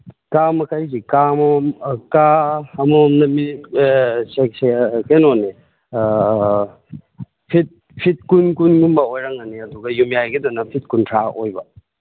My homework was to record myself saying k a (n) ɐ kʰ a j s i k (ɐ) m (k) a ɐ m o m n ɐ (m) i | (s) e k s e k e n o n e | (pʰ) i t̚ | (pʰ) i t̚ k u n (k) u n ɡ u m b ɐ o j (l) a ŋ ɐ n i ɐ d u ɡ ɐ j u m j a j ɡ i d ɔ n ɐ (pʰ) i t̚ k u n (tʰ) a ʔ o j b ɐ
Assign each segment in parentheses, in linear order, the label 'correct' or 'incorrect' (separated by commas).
incorrect, incorrect, correct, correct, correct, correct, correct, correct, incorrect, correct, correct